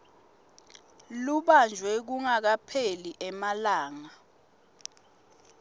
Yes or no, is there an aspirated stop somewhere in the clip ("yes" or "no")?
yes